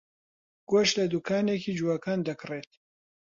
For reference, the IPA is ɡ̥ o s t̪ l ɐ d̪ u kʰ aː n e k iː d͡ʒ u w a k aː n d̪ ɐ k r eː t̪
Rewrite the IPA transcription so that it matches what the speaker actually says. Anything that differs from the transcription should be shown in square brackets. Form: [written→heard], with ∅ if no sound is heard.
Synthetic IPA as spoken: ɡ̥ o [s→ʃ] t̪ l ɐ d̪ u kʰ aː n e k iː d͡ʒ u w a k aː n d̪ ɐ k r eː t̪